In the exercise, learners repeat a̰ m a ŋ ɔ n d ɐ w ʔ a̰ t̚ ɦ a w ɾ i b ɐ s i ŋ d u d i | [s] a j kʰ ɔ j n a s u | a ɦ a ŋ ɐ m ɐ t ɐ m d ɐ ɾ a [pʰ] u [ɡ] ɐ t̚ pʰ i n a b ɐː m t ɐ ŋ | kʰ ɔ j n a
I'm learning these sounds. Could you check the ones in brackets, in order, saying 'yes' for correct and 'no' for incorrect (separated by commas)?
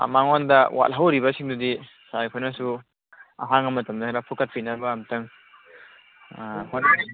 yes, yes, no